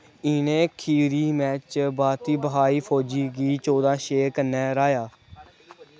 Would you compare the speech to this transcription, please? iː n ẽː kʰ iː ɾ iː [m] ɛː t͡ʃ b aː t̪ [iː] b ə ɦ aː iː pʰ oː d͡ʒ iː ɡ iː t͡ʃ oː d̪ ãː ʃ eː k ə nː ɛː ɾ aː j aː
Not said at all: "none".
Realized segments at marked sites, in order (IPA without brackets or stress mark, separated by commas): m, iː